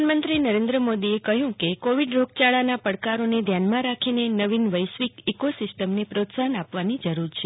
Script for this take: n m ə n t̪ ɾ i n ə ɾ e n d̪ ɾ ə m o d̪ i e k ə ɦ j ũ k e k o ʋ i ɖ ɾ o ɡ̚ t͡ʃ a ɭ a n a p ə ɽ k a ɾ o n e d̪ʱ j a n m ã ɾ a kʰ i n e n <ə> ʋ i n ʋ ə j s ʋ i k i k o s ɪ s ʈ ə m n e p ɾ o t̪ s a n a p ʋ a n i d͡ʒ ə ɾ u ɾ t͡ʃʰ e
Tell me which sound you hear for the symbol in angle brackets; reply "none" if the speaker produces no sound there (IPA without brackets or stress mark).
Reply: ə